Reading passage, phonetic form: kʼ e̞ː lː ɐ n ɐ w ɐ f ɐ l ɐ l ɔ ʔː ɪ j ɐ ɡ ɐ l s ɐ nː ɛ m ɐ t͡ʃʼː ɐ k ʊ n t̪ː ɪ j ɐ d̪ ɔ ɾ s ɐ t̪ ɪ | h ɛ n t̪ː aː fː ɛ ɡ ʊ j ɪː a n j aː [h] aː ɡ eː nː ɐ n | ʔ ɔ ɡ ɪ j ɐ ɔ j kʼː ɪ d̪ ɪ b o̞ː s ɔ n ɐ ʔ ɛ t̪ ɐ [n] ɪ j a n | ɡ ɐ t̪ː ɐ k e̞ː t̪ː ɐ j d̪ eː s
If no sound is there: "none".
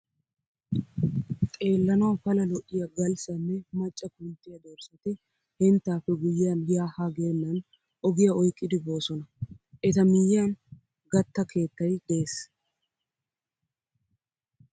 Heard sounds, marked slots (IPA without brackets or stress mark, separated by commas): h, m